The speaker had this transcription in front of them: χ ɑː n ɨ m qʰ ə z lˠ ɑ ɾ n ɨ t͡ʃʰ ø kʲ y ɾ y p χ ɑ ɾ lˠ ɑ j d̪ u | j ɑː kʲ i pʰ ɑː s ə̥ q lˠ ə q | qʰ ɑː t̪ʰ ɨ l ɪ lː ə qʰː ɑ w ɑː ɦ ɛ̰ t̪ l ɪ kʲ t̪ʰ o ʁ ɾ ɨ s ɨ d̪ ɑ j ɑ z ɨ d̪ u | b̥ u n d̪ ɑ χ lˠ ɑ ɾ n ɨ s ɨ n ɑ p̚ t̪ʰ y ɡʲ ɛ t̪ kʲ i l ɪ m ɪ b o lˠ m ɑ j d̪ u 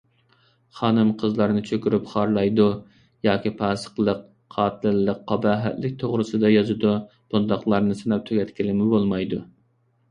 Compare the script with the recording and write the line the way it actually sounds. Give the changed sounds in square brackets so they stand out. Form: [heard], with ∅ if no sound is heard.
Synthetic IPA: χ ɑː n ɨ m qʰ ə z lˠ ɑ ɾ n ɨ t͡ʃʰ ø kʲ y ɾ y p χ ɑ ɾ lˠ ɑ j d̪ u | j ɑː kʲ i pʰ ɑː s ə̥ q lˠ ə q | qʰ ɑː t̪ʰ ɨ l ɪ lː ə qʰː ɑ [b] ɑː ɦ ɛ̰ t̪ l ɪ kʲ t̪ʰ o ʁ ɾ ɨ s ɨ d̪ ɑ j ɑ z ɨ d̪ u | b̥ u n d̪ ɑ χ lˠ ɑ ɾ n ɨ s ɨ n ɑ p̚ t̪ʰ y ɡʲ ɛ t̪ kʲ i l ɪ m ɪ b o lˠ m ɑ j d̪ u